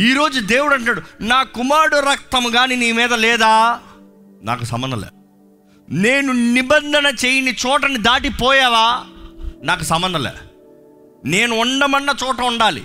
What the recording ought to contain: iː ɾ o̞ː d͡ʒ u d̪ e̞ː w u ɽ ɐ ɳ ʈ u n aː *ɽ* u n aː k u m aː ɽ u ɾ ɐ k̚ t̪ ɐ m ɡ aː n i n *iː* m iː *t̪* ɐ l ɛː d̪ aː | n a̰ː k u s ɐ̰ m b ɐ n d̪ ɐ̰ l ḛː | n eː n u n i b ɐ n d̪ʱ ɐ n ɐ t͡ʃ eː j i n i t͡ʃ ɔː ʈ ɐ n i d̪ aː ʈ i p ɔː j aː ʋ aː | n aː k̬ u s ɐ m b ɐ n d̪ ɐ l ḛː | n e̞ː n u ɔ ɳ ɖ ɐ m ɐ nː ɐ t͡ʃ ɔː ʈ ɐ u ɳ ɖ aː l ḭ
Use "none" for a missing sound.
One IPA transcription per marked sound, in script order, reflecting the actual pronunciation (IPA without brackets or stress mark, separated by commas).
ɽ, iː, d̪